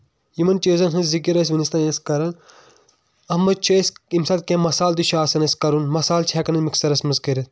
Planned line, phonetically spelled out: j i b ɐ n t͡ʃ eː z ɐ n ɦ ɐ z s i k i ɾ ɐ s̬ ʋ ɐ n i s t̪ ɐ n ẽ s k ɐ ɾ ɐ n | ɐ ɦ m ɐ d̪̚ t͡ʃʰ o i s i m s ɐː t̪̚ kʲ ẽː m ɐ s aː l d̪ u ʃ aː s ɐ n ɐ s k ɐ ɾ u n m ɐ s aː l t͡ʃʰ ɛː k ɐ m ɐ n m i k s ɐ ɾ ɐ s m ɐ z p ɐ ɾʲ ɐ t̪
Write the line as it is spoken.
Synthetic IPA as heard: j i m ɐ n t͡ʃ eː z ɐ n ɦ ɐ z z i k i ɾ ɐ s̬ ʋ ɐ n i s t̪ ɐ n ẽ s k ɐ ɾ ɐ n | ɐ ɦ m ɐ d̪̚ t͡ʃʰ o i s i m s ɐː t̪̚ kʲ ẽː m ɐ s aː l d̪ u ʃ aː s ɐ n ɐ s k ɐ ɾ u n m ɐ s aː l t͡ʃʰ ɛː k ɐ n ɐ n m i k s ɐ ɾ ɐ s m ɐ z k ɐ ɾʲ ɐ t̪

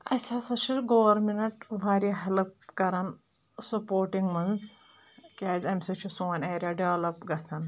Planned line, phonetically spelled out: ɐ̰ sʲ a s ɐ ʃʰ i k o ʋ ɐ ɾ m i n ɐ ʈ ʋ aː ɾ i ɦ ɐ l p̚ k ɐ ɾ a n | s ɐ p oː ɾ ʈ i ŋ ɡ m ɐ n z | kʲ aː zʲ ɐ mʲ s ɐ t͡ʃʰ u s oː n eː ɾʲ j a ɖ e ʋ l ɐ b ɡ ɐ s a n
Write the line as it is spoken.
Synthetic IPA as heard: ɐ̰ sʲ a s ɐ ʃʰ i ɡ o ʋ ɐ ɾ m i n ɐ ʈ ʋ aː ɾ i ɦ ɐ l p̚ k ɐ ɾ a n | s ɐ p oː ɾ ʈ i ŋ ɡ m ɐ n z | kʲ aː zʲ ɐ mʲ s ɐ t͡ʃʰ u s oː n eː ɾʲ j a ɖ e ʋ l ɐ p ɡ ɐ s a n

